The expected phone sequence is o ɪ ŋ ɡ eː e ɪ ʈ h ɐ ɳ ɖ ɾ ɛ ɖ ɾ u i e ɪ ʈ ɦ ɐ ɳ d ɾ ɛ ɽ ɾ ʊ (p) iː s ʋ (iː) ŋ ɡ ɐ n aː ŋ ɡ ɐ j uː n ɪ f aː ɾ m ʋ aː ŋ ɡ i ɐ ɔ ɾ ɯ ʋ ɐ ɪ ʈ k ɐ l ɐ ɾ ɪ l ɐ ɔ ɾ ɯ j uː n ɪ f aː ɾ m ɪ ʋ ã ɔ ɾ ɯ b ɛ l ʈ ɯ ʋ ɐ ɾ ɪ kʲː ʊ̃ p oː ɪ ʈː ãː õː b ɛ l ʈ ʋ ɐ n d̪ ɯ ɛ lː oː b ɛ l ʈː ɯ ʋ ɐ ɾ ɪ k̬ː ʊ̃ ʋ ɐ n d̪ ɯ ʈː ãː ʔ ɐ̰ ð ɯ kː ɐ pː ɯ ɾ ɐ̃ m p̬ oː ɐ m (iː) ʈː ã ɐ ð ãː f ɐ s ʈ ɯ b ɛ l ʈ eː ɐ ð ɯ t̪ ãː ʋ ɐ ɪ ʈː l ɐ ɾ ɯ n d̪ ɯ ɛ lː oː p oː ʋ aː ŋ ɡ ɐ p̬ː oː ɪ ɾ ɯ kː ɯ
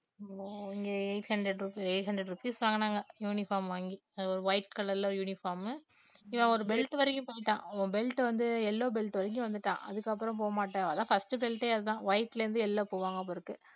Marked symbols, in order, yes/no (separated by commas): yes, no, no